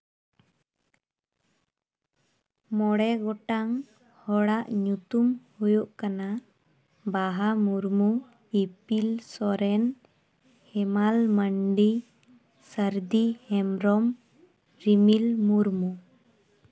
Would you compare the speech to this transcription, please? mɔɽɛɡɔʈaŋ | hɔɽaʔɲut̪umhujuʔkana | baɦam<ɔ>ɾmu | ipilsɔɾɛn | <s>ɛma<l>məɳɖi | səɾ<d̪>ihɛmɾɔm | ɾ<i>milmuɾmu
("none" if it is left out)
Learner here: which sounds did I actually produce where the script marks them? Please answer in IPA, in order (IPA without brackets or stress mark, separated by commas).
u, h, l, d̪, i